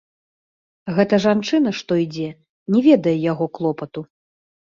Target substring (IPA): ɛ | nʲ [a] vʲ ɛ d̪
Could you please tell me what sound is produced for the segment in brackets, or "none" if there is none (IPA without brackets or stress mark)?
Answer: ɛ